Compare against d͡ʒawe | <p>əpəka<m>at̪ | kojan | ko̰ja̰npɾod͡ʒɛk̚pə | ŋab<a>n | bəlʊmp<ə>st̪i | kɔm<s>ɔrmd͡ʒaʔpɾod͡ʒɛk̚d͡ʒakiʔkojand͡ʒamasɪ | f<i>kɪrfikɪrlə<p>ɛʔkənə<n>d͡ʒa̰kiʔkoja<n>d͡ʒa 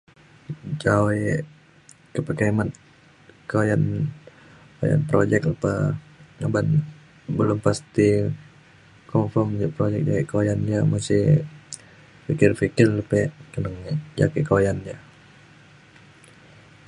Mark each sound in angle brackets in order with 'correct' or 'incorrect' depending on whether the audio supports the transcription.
incorrect, correct, correct, incorrect, incorrect, correct, correct, incorrect, correct

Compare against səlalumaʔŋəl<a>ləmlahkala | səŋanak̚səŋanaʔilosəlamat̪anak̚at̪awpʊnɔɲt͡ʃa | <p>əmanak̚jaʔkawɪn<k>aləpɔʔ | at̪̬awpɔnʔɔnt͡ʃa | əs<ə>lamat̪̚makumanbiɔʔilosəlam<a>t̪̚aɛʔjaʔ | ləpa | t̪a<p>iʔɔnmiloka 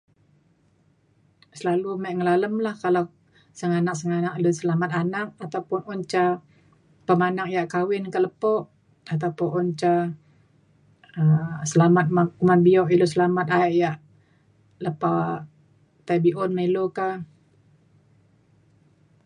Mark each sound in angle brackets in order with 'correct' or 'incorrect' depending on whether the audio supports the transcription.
correct, correct, correct, correct, correct, incorrect

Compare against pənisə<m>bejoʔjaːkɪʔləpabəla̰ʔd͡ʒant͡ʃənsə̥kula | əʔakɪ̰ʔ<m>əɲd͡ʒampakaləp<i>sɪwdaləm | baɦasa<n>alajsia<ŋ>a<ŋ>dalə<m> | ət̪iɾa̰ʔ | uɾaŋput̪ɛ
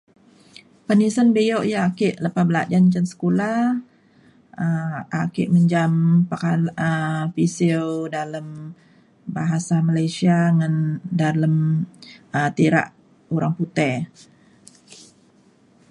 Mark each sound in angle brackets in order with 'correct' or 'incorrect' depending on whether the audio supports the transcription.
incorrect, correct, correct, incorrect, correct, incorrect, correct

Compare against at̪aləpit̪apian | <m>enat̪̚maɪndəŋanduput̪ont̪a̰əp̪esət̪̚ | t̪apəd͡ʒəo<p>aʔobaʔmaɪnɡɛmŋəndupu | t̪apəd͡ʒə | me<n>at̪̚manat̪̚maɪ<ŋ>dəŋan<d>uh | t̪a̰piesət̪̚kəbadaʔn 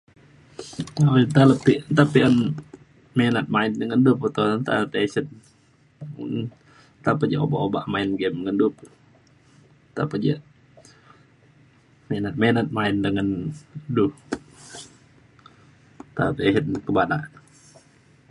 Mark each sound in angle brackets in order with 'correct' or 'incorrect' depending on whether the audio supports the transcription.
correct, incorrect, correct, incorrect, correct

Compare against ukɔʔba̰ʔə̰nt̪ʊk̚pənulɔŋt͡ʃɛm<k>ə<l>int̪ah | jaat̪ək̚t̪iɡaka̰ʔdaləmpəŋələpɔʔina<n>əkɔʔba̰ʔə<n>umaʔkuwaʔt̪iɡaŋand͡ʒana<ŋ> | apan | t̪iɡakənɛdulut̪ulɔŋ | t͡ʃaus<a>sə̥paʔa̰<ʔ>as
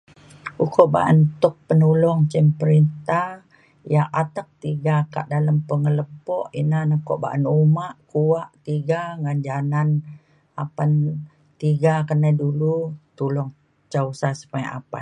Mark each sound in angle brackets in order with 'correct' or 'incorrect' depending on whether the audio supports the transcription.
incorrect, incorrect, correct, correct, incorrect, correct, incorrect

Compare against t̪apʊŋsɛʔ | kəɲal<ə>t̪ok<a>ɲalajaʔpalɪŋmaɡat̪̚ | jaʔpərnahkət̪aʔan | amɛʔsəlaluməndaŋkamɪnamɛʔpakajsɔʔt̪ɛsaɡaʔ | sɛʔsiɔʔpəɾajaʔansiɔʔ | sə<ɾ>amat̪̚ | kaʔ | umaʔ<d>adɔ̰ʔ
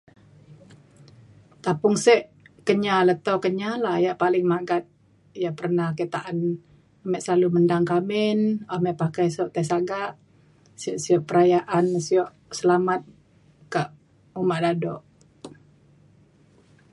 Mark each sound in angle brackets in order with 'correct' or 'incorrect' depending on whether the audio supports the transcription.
correct, incorrect, incorrect, correct

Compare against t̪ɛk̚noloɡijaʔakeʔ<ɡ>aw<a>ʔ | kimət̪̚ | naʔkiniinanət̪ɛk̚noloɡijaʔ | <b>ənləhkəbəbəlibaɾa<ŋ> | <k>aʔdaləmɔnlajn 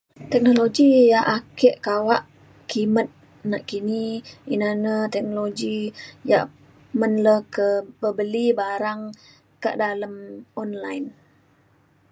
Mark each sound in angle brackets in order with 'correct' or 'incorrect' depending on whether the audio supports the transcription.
incorrect, correct, incorrect, correct, correct

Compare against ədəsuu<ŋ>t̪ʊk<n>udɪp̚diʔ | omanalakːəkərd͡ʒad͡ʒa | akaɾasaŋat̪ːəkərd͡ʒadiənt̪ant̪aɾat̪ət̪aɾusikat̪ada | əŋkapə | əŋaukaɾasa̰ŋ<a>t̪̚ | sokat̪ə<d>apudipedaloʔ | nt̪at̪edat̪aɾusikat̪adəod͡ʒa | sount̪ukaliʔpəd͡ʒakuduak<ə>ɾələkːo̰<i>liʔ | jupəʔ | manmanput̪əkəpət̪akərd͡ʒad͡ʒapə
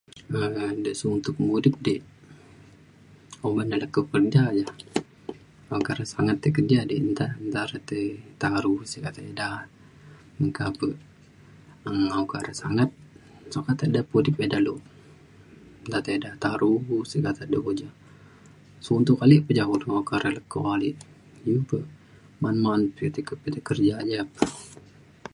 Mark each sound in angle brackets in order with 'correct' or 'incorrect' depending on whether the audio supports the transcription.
incorrect, incorrect, correct, correct, incorrect, incorrect

